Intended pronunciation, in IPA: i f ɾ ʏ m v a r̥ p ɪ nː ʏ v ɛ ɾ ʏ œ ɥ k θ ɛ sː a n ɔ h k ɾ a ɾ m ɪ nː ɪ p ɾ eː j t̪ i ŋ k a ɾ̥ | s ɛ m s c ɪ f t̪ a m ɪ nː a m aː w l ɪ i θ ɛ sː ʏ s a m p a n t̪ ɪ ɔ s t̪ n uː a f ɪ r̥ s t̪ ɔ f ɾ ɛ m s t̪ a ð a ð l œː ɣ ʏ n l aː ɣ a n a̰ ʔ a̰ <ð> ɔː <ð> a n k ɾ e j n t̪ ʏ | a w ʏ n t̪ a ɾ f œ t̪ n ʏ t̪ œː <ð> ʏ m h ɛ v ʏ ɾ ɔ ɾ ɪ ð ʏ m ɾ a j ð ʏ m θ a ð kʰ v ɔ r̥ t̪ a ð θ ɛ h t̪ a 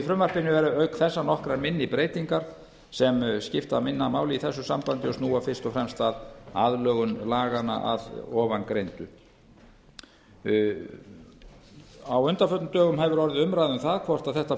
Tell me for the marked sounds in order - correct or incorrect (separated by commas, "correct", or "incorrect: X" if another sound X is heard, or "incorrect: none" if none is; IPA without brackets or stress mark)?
correct, incorrect: v, incorrect: ɣ